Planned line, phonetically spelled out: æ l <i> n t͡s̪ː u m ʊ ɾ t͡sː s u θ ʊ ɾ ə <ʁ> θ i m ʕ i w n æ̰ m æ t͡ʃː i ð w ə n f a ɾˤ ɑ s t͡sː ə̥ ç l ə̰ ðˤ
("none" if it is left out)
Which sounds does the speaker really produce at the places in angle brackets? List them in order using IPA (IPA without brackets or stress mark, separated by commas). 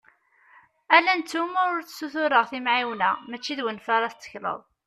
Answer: æ, ʁ